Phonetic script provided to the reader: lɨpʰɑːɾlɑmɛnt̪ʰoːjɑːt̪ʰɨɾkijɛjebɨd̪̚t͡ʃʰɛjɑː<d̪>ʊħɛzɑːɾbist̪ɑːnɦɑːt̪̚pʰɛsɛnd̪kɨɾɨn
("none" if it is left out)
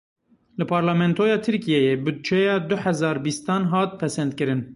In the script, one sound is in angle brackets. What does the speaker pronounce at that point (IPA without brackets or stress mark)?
d̪